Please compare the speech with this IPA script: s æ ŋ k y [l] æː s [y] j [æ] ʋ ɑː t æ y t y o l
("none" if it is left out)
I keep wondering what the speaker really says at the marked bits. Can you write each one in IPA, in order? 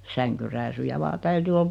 r, y, æ

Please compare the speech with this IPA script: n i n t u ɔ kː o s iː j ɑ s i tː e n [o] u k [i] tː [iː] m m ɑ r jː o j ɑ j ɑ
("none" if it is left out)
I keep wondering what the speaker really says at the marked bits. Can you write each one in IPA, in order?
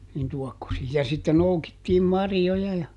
o, i, iː

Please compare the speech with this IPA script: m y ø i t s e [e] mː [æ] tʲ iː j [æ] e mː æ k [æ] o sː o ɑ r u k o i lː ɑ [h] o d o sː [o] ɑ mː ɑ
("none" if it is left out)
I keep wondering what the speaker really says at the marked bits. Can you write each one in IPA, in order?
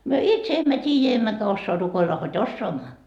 e, æ, æ, æ, h, o

